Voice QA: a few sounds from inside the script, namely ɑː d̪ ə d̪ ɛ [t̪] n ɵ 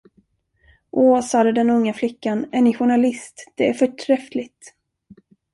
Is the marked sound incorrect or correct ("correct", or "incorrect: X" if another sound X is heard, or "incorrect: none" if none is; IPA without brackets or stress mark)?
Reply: incorrect: none